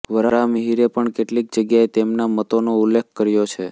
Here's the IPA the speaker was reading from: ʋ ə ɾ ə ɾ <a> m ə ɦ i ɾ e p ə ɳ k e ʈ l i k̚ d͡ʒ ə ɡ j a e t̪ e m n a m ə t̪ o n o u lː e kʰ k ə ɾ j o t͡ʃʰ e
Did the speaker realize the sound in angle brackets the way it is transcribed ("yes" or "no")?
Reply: yes